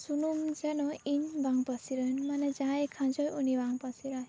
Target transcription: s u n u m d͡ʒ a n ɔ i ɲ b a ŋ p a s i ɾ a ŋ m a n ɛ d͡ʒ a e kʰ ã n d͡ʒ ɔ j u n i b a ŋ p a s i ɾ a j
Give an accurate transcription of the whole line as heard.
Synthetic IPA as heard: s u n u m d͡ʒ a n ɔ i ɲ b a ŋ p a s i ɾ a n m a n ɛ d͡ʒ a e kʰ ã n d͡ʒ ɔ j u n i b a ŋ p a s i ɾ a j

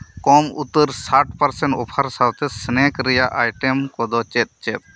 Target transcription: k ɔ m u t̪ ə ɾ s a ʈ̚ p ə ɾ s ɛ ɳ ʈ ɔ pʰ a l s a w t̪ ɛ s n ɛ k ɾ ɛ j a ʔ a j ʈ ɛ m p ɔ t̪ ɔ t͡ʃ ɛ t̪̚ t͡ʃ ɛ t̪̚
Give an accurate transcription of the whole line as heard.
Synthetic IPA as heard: k ɔ m u t̪ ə ɾ s a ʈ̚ p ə ɾ s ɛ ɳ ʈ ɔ pʰ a ɾ s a w t̪ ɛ s n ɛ k ɾ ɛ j a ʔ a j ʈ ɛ m k ɔ d̪ ɔ t͡ʃ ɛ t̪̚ t͡ʃ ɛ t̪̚

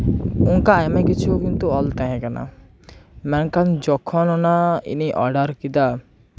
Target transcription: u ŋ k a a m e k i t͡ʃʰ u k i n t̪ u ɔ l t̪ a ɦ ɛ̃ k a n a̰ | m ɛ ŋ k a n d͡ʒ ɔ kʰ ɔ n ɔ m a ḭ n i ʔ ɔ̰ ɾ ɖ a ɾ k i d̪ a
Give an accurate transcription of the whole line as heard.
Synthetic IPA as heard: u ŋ k a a m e k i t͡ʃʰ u k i n t̪ u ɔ l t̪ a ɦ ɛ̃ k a n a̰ | m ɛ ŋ k a n d͡ʒ ɔ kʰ ɔ n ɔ n a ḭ n i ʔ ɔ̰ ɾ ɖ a ɾ k i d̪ a

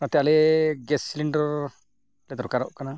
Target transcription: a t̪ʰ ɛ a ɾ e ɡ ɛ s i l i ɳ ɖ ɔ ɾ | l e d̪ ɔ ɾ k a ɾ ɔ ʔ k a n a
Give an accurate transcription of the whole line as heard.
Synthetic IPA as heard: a t̪ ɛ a l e ɡ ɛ s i l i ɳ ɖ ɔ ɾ | l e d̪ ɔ ɾ k a ɾ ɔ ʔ k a n a

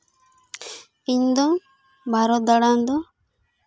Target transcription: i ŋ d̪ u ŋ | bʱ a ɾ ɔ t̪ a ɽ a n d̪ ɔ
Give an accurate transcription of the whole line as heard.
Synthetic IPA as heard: i ɲ d̪ ɔ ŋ | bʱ a ɾ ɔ d̪ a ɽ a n d̪ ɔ

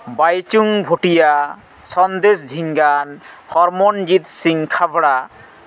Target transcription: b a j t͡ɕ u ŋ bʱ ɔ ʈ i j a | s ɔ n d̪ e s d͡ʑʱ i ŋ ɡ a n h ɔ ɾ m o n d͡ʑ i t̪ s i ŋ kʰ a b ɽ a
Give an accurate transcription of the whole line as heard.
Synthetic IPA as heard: b a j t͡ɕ u ŋ bʱ o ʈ i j a | s ɔ n d̪ e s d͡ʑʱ i ŋ ɡ a n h ɔ ɾ m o n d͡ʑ i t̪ s i ŋ kʰ a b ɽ a

